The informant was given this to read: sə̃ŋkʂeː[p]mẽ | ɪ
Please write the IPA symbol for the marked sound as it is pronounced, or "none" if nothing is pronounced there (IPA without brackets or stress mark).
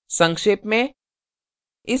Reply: p